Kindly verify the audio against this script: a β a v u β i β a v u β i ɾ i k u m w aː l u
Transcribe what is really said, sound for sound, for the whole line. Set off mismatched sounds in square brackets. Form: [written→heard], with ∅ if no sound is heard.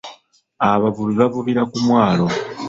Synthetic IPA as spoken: a β a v u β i β a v u β i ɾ [i→a] k u m w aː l [u→o]